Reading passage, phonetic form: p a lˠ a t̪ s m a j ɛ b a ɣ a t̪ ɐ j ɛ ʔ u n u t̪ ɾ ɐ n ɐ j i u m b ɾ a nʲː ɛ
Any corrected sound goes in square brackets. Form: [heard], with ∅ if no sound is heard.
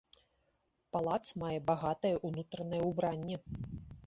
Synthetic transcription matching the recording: p a lˠ a t̪ s m a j ɛ b a ɣ a t̪ ɐ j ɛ ʔ u n u t̪ ɾ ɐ n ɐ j [ɛ] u [∅] b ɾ a nʲː ɛ